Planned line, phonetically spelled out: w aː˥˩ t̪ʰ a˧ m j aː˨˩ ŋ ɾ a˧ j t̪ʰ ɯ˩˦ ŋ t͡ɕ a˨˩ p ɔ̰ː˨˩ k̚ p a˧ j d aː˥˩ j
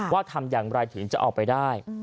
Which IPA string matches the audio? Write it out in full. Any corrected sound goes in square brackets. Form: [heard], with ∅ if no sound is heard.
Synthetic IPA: w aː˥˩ t̪ʰ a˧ m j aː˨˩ ŋ ɾ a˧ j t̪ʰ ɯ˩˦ ŋ t͡ɕ a˨˩ [ʔ] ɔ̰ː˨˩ k̚ p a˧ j d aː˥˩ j